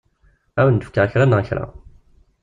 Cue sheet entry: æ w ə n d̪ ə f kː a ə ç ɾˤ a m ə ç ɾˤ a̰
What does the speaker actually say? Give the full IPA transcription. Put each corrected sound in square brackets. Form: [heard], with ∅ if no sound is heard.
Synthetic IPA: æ w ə n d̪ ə f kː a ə ç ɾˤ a [n] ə ç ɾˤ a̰

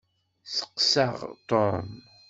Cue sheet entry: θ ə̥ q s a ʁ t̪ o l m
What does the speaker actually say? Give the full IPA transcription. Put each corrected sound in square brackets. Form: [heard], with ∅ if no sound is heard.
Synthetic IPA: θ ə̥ q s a ʁ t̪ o [ɾ] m

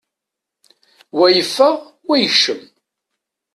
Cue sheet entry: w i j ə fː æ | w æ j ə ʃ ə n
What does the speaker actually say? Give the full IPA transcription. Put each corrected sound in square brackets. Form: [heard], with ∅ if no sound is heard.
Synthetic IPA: w [æ] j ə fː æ | w æ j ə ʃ ə [m]

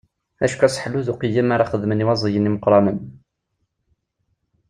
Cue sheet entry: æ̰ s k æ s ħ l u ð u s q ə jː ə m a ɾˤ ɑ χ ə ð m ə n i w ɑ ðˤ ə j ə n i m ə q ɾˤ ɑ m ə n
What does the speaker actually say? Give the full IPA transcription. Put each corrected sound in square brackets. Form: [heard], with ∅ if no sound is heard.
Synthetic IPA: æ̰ [ʃ] k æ s ħ l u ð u [∅] q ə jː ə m a ɾˤ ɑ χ ə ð m ə n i w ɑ [zˤ] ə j ə n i m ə q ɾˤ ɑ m ə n

